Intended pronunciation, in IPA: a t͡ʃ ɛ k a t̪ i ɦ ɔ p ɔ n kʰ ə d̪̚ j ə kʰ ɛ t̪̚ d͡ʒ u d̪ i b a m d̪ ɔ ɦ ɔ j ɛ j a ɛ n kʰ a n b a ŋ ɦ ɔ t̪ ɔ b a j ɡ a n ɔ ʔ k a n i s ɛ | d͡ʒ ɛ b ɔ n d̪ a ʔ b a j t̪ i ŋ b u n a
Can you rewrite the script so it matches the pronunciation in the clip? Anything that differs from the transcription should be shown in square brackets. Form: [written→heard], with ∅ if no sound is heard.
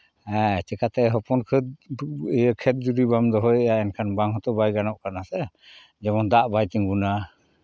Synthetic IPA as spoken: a t͡ʃ ɛ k a t̪ [i→ɛ] ɦ ɔ p ɔ n kʰ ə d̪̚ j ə kʰ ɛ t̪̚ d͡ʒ u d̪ i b a m d̪ ɔ ɦ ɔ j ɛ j a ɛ n kʰ a n b a ŋ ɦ ɔ t̪ ɔ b a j ɡ a n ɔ ʔ k a n [i→a] s ɛ | d͡ʒ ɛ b ɔ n d̪ a ʔ b a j t̪ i ŋ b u n a